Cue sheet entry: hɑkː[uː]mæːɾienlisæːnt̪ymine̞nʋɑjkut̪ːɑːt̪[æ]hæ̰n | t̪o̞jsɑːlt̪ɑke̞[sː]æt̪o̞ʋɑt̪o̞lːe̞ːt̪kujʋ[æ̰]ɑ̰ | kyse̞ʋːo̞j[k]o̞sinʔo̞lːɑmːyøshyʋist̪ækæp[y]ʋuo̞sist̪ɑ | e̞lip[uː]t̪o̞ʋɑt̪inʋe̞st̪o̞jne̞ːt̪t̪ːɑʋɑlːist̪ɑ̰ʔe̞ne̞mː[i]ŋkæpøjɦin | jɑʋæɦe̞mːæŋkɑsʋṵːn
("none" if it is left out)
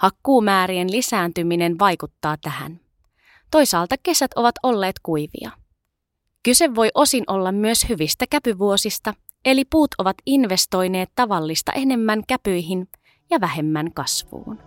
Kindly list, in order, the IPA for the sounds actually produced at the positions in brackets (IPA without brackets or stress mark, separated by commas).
uː, æ, s, ḭ, ʔ, y, uː, æ